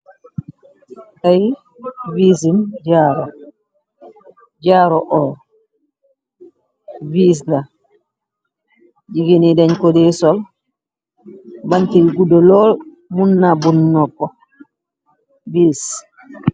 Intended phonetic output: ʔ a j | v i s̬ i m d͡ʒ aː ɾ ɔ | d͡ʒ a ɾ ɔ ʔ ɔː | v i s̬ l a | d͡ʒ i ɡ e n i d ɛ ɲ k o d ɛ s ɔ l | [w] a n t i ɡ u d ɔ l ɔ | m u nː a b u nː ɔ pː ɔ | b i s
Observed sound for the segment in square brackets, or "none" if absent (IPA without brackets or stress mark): b